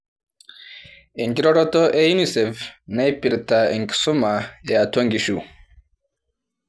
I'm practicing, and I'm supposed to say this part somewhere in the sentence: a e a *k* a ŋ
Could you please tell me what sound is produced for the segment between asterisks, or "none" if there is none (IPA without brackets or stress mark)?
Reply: t